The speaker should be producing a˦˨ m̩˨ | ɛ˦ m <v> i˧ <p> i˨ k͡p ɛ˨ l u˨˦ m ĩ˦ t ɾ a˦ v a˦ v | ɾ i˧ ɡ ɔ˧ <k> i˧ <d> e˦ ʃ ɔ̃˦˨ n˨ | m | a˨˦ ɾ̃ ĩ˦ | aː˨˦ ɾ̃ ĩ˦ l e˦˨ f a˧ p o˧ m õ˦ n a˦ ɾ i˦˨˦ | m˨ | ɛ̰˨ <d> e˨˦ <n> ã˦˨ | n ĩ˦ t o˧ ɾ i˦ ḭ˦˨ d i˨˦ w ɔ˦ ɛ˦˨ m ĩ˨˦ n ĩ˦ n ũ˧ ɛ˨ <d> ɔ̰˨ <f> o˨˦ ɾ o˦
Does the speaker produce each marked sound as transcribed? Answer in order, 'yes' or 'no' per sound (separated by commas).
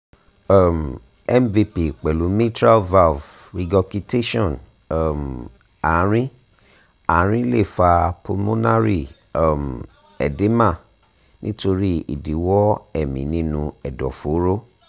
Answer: yes, yes, yes, no, yes, no, yes, yes